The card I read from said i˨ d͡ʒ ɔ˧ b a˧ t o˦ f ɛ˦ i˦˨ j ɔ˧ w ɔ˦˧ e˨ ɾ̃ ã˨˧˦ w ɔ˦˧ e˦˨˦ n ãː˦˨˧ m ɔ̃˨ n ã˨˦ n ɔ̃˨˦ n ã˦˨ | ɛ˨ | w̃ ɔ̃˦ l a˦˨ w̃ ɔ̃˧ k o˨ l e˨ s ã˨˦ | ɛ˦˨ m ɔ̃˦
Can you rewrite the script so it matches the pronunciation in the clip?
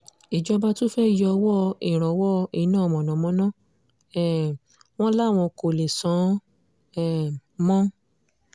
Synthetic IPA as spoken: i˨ d͡ʒ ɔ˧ b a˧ t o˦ f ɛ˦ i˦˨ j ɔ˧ w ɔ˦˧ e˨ ɾ̃ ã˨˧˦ w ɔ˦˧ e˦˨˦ n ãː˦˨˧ m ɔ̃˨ n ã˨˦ m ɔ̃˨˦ n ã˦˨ | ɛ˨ | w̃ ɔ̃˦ l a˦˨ w̃ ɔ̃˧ k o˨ l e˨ s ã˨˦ | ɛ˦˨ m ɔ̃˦